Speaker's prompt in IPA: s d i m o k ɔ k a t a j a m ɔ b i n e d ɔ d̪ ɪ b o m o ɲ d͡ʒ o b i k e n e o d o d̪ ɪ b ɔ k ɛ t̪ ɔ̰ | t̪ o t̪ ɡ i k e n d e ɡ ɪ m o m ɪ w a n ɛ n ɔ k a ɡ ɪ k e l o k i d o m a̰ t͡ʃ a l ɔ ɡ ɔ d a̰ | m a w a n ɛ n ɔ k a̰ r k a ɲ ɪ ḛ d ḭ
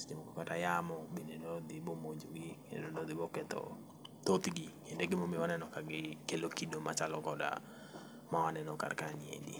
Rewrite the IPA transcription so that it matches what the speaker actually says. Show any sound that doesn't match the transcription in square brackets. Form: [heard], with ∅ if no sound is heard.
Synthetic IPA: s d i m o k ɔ k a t a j a m ɔ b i n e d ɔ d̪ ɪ b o m o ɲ d͡ʒ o [ɡ] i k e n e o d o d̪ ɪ b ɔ k ɛ t̪ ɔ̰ | t̪ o t̪ ɡ i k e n d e ɡ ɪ m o m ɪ w a n ɛ n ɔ k a ɡ ɪ k e l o k i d o m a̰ t͡ʃ a l ɔ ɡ ɔ d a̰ | m a w a n ɛ n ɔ k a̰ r k a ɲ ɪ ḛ d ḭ